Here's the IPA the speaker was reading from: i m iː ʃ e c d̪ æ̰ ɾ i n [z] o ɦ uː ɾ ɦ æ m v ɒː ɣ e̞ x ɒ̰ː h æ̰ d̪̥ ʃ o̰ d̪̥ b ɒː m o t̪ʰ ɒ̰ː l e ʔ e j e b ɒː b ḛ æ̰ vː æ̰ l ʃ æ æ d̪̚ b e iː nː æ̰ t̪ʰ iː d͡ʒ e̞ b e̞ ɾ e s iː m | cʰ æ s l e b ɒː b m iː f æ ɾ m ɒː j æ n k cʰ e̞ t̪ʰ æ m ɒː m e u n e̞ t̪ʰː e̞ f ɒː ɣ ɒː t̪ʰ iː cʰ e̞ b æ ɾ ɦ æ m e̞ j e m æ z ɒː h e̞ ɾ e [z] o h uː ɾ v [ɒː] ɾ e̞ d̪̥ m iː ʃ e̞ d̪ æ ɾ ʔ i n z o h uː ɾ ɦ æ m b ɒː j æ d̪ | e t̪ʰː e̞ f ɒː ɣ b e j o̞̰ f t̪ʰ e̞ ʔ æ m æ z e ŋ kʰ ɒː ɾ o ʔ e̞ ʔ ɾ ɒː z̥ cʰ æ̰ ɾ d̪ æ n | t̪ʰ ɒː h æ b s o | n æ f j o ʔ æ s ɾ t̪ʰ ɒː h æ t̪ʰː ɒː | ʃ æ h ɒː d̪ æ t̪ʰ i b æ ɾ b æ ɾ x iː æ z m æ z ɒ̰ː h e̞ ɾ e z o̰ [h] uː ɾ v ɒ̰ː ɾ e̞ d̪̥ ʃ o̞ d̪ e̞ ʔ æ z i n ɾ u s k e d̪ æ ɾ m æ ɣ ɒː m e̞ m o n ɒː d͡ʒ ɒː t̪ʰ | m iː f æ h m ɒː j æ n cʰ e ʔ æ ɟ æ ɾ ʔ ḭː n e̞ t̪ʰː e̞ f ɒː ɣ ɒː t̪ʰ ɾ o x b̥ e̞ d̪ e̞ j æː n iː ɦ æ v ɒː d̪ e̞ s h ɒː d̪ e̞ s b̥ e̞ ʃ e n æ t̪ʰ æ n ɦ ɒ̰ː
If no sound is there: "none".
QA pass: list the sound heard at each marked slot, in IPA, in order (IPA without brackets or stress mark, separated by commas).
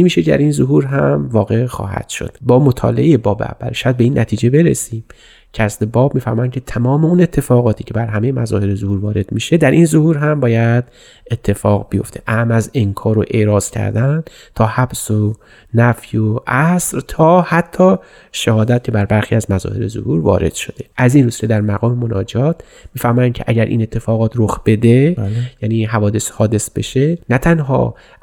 z, z, ɒː, h